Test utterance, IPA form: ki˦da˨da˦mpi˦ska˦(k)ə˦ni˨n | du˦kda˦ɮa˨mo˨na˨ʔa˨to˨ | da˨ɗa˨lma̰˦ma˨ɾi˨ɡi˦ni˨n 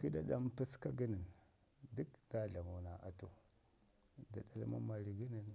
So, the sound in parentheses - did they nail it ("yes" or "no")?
no